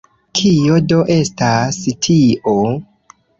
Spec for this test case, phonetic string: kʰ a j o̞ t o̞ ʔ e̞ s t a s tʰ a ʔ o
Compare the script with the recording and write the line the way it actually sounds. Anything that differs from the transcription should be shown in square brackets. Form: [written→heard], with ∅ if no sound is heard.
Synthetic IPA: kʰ [a→i] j o̞ [t→d] o̞ ʔ e̞ s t a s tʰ [a→i] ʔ o